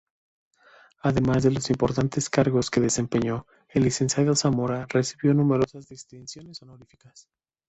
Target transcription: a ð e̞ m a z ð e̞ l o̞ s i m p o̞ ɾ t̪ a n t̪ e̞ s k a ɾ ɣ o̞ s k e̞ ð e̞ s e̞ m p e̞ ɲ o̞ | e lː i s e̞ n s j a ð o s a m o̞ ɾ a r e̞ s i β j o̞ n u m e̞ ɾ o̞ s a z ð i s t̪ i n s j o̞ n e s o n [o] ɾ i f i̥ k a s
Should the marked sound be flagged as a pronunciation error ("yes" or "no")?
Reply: no